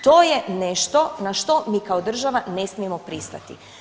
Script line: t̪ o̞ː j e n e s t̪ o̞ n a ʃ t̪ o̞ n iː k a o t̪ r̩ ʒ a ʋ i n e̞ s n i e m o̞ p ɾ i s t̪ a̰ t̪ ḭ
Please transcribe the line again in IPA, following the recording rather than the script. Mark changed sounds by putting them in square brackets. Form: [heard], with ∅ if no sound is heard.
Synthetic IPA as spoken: t̪ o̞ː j e n e [ʃ] t̪ o̞ n a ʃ t̪ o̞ [m] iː k a o [d̪] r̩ ʒ a ʋ [a] n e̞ s [m] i e m o̞ p ɾ i s t̪ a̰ t̪ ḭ